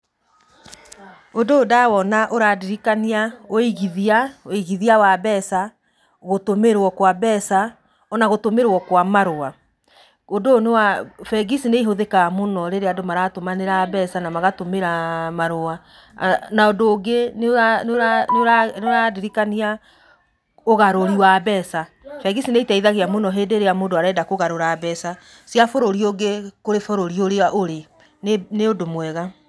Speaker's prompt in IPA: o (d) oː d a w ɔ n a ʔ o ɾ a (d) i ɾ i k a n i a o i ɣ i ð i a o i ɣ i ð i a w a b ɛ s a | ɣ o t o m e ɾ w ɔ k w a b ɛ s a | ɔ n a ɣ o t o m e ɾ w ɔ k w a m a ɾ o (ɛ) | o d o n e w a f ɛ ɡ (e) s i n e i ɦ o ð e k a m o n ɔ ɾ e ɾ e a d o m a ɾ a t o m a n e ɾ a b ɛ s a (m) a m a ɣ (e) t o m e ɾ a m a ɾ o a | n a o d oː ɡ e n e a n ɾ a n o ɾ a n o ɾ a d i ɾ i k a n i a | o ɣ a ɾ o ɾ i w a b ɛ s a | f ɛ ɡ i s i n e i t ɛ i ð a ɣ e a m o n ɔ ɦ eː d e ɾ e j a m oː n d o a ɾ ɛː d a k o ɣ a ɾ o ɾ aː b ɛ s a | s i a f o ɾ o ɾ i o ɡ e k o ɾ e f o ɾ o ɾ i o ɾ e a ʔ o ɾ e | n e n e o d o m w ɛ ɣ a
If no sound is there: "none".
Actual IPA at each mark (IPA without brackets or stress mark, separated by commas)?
d, d, a, i, n, a